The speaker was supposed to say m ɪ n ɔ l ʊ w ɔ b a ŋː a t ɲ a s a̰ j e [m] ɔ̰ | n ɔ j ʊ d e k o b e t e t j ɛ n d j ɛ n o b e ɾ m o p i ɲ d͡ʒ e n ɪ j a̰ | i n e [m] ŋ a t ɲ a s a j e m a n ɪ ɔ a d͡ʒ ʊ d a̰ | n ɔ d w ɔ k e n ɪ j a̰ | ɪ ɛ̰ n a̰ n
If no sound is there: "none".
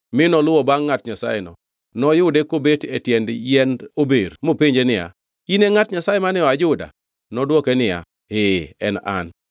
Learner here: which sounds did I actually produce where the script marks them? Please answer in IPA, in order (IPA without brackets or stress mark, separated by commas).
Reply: n, none